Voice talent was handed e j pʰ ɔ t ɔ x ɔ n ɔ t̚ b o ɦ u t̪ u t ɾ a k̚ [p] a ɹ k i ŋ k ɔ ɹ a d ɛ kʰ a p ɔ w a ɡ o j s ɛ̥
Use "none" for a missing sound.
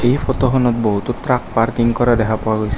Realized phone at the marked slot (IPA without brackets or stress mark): p